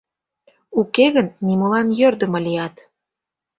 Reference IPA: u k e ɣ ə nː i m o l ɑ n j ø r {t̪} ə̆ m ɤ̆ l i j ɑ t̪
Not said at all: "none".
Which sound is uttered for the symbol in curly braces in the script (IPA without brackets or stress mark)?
d̪